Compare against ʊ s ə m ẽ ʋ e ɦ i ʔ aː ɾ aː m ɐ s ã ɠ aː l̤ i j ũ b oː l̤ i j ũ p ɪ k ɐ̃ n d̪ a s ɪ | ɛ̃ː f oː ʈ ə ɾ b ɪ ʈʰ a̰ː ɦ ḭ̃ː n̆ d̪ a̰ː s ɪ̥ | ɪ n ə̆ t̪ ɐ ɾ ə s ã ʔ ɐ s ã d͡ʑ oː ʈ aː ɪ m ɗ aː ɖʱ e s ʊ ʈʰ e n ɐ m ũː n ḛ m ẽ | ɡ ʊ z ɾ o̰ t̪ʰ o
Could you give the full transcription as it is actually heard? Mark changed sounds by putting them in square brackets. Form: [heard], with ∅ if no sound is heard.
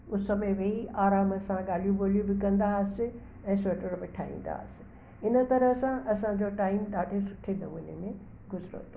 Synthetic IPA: ʊ s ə m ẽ ʋ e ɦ i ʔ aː ɾ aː m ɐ s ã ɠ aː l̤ i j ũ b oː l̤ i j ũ [b] ɪ k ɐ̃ n d̪ a s ɪ | ɛ̃ː [s] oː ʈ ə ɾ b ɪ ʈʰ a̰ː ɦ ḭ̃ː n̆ d̪ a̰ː s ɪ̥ | ɪ n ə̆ t̪ ɐ ɾ ə s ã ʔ ɐ s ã d͡ʑ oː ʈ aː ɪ m ɗ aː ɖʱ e s ʊ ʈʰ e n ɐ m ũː n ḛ m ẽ | ɡ ʊ z ɾ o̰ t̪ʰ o

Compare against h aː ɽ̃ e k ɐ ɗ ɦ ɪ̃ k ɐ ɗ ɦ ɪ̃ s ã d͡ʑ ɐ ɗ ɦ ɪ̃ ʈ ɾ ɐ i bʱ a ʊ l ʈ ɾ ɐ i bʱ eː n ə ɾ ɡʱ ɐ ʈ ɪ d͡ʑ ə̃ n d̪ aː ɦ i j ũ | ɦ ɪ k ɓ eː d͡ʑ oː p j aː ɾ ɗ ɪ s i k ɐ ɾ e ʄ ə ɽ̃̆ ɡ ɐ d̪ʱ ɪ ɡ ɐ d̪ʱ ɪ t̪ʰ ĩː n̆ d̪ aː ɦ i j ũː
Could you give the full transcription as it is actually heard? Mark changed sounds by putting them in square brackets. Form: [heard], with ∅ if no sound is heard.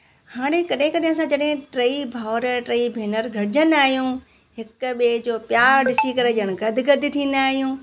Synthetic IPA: h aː ɽ̃ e k ɐ ɗ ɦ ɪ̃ k ɐ ɗ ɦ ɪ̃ s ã d͡ʑ ɐ ɗ ɦ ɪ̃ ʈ ɾ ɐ i bʱ a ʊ [ɾ] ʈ ɾ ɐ i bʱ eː n ə ɾ ɡʱ ɐ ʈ ɪ d͡ʑ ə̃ n d̪ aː ɦ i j ũ | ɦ ɪ k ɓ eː d͡ʑ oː p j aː ɾ ɗ ɪ s i k ɐ ɾ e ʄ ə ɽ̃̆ ɡ ɐ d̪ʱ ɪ ɡ ɐ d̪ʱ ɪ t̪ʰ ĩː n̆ d̪ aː ɦ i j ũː

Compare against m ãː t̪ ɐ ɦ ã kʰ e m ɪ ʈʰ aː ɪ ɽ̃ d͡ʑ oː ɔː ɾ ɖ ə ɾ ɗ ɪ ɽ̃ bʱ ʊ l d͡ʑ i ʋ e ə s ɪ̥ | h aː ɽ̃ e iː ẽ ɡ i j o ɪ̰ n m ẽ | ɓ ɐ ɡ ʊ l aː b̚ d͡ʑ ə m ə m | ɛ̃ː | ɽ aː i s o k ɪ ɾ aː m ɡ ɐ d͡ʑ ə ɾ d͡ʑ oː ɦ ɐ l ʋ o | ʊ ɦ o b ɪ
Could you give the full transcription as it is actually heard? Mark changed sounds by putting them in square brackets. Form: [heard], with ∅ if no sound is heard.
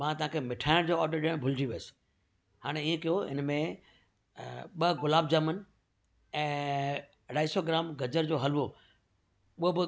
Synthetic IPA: m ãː t̪ ɐ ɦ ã kʰ e m ɪ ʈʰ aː ɪ ɽ̃ d͡ʑ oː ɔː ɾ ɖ ə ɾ ɗ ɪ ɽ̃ bʱ ʊ l d͡ʑ i ʋ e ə s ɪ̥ | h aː ɽ̃ e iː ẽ [k] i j o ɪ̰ n m ẽ | ɓ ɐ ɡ ʊ l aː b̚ d͡ʑ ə m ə [n] | ɛ̃ː | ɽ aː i s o [ɡ] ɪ ɾ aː m ɡ ɐ d͡ʑ ə ɾ d͡ʑ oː ɦ ɐ l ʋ o | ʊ ɦ o b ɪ

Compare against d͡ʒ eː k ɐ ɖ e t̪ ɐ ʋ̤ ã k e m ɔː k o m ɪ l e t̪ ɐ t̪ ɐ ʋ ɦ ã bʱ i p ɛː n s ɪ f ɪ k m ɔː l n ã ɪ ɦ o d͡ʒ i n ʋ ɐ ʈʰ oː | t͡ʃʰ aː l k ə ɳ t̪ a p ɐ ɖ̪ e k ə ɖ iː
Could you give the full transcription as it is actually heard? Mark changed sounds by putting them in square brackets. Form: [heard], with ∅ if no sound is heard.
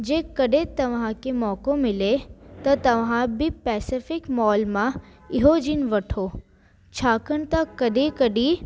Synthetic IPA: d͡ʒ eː k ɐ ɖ e t̪ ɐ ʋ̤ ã k e m ɔː k o m ɪ l e t̪ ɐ t̪ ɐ ʋ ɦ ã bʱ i p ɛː [∅] s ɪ f ɪ k m ɔː l [m] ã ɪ ɦ o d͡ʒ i n ʋ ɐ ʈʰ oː | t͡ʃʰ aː [∅] k ə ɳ t̪ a [k] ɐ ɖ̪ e k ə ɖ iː

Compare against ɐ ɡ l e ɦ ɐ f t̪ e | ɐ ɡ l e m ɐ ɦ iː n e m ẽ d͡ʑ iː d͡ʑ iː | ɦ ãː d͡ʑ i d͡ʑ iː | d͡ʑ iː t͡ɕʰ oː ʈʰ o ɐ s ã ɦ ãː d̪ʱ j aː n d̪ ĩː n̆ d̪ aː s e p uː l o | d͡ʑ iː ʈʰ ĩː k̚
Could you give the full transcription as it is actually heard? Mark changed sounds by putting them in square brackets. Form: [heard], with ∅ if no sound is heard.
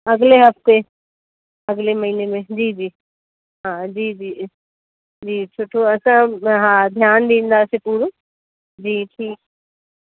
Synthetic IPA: ɐ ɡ l e ɦ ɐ f t̪ e | ɐ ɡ l e m ɐ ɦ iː n e m ẽ d͡ʑ iː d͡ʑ iː | ɦ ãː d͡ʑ [iː] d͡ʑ iː | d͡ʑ iː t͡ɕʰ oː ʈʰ o ɐ s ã ɦ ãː d̪ʱ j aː n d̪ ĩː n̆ d̪ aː s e p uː [ɾ] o | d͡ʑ iː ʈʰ [iː] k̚

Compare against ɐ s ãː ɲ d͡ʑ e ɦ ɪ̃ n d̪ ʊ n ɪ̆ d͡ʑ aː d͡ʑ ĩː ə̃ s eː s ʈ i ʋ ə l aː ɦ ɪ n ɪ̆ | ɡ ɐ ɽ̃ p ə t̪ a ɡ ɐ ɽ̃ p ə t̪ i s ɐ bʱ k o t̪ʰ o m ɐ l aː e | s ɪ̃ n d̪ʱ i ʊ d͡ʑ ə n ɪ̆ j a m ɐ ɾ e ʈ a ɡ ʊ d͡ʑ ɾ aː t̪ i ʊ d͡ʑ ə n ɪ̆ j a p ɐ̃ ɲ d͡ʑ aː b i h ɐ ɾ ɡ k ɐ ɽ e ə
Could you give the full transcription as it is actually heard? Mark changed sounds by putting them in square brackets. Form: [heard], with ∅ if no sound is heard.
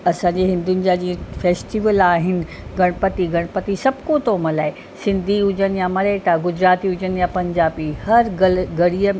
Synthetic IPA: ɐ s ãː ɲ d͡ʑ e ɦ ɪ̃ n d̪ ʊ n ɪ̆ d͡ʑ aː d͡ʑ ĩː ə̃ [f] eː s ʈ i ʋ ə l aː ɦ ɪ n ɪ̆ | ɡ ɐ ɽ̃ p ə t̪ [i] ɡ ɐ ɽ̃ p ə t̪ i s ɐ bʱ k o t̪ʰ o m ɐ l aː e | s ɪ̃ n d̪ʱ i ʊ d͡ʑ ə n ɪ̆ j a m ɐ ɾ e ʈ a ɡ ʊ d͡ʑ ɾ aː t̪ i ʊ d͡ʑ ə n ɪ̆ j a p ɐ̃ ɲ d͡ʑ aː b i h ɐ ɾ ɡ [ɡ] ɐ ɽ [i] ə

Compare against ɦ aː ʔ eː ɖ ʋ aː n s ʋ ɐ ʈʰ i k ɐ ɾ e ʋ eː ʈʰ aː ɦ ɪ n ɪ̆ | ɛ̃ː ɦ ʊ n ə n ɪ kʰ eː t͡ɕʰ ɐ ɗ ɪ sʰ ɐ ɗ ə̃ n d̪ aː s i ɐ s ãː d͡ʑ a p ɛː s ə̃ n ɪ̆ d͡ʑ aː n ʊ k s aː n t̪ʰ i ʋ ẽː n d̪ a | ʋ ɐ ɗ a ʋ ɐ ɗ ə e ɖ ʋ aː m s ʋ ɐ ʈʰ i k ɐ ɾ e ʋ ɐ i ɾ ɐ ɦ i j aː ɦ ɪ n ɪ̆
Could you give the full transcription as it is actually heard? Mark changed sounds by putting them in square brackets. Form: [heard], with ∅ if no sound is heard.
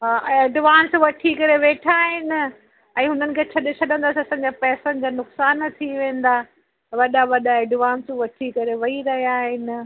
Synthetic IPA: ɦ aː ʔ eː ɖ ʋ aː n s ʋ ɐ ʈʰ i k ɐ ɾ e ʋ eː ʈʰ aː ɦ ɪ n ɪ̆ | ɛ̃ː ɦ ʊ n ə n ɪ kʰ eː t͡ɕʰ ɐ ɗ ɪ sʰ ɐ ɗ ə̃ n d̪ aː s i ɐ s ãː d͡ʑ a p ɛː s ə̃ n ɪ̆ d͡ʑ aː n ʊ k s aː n t̪ʰ i ʋ ẽː n d̪ a | ʋ ɐ ɗ a ʋ ɐ ɗ [a] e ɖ ʋ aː [n] s ʋ ɐ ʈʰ i k ɐ ɾ e ʋ ɐ i ɾ ɐ ɦ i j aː ɦ ɪ n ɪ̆

